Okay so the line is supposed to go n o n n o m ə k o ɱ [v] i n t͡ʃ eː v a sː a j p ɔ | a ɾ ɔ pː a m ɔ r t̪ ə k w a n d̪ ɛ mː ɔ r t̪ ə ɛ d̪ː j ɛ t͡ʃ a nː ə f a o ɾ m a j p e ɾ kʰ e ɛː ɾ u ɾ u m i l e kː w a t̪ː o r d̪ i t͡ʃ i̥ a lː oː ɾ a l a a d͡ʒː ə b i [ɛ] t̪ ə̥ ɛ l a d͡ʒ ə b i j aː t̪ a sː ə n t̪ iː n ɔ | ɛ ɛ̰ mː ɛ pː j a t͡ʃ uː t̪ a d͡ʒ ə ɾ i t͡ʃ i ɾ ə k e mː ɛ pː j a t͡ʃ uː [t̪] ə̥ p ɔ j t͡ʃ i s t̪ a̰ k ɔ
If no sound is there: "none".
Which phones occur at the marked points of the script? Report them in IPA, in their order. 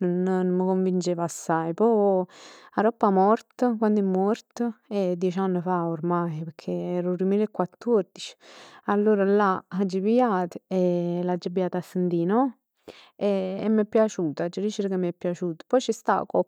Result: v, a, t̪

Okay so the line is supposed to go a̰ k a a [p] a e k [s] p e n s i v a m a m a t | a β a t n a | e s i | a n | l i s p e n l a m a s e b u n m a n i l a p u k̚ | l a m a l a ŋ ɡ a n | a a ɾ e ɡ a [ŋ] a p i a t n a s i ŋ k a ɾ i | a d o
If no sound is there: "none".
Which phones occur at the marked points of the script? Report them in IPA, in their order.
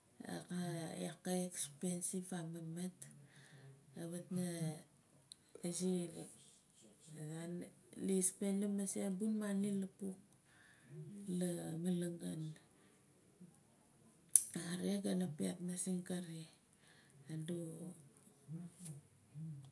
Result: k, s, n

